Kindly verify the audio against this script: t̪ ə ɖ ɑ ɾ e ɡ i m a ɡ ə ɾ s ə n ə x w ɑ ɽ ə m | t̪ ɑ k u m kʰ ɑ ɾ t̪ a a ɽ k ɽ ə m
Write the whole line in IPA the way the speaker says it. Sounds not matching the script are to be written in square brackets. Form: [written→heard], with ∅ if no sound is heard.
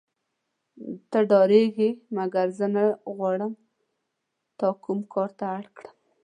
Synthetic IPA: t̪ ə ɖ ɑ ɾ e ɡ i m a ɡ [ə→a] ɾ [s→z] ə n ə [x→ɣ] w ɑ ɽ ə m | t̪ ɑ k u m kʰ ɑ ɾ t̪ a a ɽ k ɽ ə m